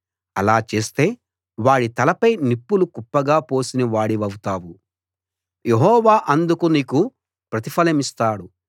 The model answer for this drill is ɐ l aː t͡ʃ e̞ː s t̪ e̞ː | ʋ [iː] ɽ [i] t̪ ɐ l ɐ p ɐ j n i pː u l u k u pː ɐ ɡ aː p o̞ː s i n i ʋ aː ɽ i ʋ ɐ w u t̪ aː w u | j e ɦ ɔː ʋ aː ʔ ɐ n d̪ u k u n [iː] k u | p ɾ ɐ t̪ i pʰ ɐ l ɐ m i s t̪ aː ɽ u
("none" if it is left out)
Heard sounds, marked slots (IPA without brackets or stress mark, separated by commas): aː, i, iː